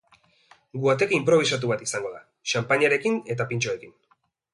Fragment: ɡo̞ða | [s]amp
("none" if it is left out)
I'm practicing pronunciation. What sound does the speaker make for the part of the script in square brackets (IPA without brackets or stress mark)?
ʃ